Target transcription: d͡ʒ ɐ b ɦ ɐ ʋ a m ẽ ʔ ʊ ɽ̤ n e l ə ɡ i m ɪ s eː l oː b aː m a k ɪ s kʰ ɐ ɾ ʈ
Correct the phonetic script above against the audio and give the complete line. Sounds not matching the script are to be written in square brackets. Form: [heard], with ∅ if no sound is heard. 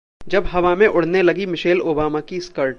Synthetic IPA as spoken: d͡ʒ ɐ b ɦ ɐ ʋ a m ẽ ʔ ʊ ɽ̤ n e l [ɐ] ɡ i m ɪ [ʃ] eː l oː b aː m a k [i] s [k] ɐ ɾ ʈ

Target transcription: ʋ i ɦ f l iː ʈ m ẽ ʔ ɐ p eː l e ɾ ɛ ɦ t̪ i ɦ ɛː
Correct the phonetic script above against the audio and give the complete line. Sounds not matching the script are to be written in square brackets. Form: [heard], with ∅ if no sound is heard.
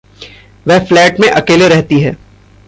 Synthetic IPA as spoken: ʋ [ɛ] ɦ f l [ɛː] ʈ m ẽ ʔ ɐ [k] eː l e ɾ ɛ ɦ t̪ i ɦ ɛː

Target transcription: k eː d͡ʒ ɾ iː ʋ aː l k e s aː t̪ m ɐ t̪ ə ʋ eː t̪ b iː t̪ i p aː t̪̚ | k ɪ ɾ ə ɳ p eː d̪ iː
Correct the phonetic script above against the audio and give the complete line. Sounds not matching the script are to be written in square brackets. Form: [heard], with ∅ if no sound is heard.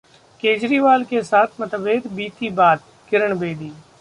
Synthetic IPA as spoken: k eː d͡ʒ ɾ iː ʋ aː l k e s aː [t̪ʰ] m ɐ t̪ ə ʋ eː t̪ b iː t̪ i [b] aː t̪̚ | k ɪ ɾ ə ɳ [b] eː d̪ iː

